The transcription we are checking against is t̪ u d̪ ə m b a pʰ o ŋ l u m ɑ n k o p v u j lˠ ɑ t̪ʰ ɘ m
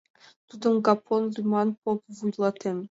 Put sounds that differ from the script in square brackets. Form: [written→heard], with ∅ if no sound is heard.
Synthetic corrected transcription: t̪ u d̪ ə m [b→ɡ] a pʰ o [ŋ→n] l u m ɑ n [k→p] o p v u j lˠ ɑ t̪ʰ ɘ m